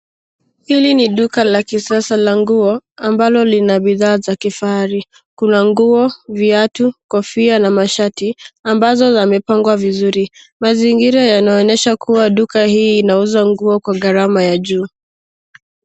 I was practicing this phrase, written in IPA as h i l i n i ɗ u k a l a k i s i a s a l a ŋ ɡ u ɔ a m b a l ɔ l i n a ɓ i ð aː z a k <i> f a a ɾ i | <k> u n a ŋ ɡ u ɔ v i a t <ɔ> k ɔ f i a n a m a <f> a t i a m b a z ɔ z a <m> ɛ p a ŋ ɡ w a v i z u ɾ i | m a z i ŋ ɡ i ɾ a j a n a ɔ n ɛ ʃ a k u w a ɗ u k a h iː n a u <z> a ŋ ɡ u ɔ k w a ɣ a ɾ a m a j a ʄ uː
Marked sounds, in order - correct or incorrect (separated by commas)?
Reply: correct, correct, incorrect, incorrect, correct, correct